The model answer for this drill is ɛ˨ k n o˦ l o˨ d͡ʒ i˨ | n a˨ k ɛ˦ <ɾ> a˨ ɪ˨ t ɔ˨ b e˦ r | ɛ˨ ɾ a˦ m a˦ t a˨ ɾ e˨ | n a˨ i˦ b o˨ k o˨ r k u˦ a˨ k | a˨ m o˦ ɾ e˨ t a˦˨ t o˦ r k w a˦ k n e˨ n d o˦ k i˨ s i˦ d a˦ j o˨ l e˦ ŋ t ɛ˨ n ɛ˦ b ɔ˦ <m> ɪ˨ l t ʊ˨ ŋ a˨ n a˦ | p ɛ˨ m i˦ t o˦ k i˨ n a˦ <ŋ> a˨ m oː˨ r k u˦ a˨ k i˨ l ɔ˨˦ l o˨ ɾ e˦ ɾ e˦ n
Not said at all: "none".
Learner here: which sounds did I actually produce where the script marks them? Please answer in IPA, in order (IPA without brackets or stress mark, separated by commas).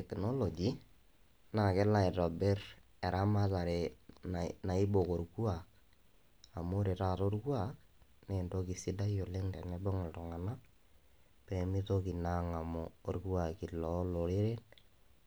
l, ŋ, ŋ